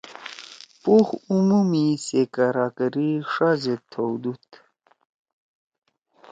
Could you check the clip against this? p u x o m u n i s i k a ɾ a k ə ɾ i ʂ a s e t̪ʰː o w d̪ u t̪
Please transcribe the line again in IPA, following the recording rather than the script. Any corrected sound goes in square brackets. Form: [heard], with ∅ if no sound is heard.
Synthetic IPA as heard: p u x [u] m u [m] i s [e] k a ɾ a k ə ɾ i ʂ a [z] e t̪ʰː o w d̪ u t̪